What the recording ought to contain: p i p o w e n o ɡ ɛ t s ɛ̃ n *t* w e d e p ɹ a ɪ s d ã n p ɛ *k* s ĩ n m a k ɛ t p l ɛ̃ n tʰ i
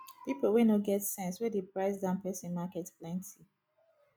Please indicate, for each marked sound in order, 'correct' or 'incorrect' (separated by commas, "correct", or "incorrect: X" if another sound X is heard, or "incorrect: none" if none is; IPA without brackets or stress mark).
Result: incorrect: s, incorrect: none